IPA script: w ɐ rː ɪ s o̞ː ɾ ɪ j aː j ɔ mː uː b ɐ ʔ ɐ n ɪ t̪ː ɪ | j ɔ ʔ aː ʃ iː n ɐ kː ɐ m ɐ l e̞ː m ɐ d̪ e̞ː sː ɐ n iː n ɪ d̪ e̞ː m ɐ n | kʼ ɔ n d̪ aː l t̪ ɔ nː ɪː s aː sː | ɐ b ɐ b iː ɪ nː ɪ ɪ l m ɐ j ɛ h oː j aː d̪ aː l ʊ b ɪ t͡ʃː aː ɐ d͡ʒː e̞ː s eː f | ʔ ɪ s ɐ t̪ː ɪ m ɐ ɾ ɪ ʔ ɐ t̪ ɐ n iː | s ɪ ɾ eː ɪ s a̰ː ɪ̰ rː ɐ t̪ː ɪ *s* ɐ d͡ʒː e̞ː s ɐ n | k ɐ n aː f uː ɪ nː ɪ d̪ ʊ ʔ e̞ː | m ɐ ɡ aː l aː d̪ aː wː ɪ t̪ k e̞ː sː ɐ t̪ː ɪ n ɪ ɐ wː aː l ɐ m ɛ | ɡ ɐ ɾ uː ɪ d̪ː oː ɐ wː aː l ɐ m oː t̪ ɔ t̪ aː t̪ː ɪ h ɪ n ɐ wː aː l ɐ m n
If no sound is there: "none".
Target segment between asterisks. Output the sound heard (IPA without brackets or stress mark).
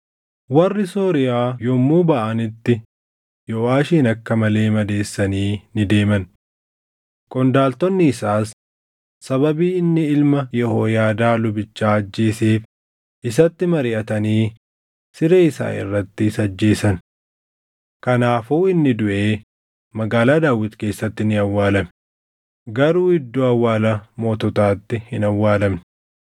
s